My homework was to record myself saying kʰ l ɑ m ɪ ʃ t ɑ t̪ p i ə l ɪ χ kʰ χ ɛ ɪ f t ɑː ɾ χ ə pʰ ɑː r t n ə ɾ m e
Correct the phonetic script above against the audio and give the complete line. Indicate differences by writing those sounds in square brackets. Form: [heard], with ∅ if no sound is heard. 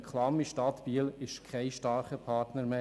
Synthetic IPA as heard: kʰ l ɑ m [i] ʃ t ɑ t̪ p i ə l ɪ [ʃ] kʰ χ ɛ ɪ [ʃ] t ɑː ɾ χ ə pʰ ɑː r t n ə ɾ m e

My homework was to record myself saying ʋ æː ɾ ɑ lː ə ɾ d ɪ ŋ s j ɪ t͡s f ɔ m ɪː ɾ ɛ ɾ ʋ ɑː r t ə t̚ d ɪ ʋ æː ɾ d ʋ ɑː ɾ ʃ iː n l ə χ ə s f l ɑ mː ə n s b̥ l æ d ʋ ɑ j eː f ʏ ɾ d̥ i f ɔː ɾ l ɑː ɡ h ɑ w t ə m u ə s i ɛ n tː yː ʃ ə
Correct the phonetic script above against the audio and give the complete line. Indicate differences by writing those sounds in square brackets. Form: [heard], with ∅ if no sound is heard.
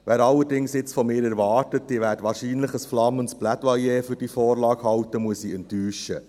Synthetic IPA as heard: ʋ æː ɾ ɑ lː ə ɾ d ɪ ŋ s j ɪ t͡s f ɔ m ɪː ɾ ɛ ɾ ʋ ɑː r t ə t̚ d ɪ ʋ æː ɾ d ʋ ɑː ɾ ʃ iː n l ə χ ə s f l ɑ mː ə n s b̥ l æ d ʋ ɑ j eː f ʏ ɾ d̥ i f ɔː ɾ l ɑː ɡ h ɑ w t ə m u ə s i ɛ n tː yː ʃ ə

